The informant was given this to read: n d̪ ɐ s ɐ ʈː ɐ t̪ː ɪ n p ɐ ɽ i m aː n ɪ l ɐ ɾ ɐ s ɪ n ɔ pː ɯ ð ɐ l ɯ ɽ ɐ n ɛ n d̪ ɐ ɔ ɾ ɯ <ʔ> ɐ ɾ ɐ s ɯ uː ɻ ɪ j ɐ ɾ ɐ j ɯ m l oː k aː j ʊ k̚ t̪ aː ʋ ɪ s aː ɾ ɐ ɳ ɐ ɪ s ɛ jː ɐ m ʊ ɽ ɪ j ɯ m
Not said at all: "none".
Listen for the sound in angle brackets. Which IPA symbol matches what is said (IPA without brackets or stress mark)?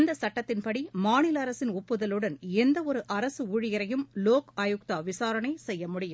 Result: ʔ